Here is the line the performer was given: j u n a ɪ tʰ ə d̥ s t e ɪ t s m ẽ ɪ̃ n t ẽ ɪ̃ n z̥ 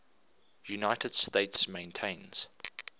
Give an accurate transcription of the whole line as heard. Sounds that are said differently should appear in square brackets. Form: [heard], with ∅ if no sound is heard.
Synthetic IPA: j u n a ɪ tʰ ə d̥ s t e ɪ t s m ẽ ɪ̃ n [tʰ] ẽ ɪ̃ n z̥